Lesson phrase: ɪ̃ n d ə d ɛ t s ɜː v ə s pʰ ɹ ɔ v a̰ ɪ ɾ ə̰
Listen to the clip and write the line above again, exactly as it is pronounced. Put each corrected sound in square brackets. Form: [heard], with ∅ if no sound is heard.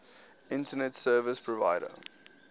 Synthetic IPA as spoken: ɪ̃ n [t] ə [n] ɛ t s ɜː v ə s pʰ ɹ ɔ v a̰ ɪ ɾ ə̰